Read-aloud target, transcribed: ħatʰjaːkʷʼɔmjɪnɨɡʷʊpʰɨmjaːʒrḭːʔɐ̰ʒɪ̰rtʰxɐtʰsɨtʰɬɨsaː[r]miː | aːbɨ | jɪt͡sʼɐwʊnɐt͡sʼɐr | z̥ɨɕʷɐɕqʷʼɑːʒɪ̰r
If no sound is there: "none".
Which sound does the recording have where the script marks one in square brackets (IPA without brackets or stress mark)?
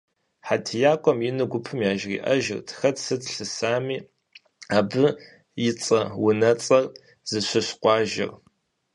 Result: none